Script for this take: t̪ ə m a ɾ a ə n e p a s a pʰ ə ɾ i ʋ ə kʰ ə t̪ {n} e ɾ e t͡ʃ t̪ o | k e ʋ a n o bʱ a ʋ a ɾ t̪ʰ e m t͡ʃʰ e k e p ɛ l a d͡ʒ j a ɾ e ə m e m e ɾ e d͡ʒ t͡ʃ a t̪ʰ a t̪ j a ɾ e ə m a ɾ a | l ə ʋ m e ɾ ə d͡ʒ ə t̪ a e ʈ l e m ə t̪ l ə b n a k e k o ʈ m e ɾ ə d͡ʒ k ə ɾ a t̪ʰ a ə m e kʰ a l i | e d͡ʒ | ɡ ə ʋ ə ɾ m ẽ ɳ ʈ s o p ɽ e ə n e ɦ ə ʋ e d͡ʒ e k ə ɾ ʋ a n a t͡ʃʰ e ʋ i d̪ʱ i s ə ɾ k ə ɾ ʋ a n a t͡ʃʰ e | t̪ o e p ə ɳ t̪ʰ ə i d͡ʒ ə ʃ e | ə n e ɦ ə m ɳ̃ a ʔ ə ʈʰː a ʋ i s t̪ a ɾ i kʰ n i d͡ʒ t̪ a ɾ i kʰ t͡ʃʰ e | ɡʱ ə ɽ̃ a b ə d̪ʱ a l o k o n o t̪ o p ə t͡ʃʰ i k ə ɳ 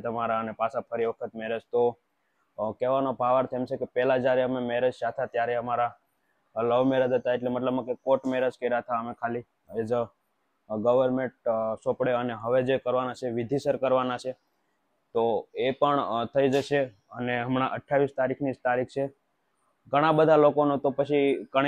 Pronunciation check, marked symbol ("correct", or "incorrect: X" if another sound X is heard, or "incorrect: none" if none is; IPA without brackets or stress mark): incorrect: m